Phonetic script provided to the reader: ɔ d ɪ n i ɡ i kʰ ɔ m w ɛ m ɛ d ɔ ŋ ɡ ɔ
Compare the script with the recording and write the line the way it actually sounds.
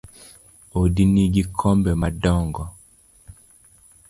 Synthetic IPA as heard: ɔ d i n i ɡ i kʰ ɔ m b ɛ m a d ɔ ŋ ɡ ɔ